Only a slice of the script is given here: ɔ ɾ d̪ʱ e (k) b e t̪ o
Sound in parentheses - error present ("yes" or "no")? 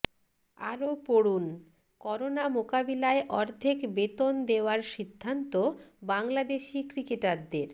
no